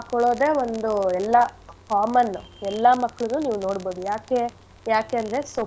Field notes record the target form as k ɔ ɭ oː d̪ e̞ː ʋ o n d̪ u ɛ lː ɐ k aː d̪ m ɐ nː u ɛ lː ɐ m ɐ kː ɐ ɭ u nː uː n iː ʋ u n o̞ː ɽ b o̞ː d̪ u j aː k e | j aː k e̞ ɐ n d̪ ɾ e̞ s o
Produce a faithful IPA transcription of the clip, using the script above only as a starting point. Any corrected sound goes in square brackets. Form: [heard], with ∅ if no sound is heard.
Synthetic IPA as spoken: k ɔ ɭ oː d̪ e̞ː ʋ o n d̪ u ɛ lː ɐ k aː [∅] m ɐ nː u ɛ lː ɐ m ɐ kː ɐ ɭ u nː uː n iː ʋ u n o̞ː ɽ b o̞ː d̪ u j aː k e | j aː k e̞ ɐ n d̪ ɾ e̞ s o

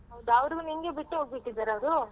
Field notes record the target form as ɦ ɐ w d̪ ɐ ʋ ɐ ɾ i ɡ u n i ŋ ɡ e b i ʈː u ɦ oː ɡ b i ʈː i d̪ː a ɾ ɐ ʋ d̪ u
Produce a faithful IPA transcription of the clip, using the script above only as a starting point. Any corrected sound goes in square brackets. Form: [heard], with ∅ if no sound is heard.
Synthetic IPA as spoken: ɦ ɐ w d̪ ɐ ʋ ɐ ɾ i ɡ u n i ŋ ɡ e b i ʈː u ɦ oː ɡ b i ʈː i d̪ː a ɾ ɐ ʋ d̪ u

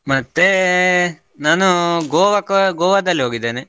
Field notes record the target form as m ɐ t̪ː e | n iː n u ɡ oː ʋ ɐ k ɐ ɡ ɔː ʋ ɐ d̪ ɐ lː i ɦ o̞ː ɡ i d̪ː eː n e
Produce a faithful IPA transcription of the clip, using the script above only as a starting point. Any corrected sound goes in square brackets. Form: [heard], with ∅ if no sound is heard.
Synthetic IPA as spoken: m ɐ t̪ː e | n [aː] n u ɡ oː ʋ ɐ k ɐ ɡ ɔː ʋ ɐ d̪ ɐ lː i ɦ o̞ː ɡ i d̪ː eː n e

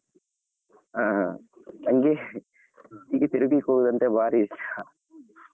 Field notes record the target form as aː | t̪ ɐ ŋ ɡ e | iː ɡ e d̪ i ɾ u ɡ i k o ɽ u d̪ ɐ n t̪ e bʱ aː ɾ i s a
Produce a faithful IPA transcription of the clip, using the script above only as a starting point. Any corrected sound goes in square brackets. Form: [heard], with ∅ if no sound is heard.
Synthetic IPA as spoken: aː | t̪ ɐ ŋ ɡ e | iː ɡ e [t̪] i ɾ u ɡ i k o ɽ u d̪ ɐ n t̪ e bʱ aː ɾ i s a

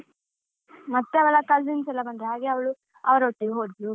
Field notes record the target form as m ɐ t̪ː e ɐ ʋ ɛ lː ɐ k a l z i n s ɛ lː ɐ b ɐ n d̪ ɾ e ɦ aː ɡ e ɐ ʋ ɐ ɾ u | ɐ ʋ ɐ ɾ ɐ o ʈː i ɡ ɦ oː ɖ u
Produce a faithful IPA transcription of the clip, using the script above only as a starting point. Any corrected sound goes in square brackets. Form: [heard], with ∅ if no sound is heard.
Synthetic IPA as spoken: m ɐ t̪ː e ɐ ʋ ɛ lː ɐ k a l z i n s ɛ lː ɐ b ɐ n d̪ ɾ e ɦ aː ɡ e ɐ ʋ ɐ [ɭ] u | ɐ ʋ ɐ ɾ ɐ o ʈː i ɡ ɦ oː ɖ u

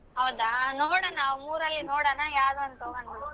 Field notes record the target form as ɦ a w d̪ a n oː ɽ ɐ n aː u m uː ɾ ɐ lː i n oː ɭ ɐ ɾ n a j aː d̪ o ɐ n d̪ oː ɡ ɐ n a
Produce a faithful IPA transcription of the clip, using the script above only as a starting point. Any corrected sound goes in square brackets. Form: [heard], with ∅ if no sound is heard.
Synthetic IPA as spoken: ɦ [ɐ] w d̪ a n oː ɽ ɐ n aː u m uː ɾ ɐ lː i n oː [ɽ] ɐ [∅] n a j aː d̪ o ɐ n [t̪] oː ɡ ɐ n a

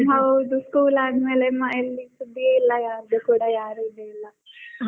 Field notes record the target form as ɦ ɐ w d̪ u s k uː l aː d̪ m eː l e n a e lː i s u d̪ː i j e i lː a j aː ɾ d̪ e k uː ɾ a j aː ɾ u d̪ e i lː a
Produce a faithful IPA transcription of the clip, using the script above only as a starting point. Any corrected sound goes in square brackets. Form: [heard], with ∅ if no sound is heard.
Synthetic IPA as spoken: ɦ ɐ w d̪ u s k uː l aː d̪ m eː l e [m] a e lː i s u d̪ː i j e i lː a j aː ɾ d̪ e k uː [ɽ] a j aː ɾ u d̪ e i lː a

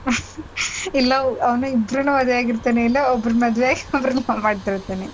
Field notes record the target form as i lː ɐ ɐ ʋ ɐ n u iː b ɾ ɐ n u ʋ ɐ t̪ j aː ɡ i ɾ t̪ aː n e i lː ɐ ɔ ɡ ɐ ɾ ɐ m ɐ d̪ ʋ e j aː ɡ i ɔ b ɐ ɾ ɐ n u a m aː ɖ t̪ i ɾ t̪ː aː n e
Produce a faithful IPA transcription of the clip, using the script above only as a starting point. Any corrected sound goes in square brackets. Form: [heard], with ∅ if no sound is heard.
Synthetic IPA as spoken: i lː ɐ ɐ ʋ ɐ n u [i] b ɾ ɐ n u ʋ ɐ [d̪] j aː ɡ i ɾ t̪ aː n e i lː ɐ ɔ [b] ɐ ɾ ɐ m ɐ d̪ ʋ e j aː ɡ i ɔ b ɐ ɾ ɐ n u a m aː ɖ t̪ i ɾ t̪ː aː n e

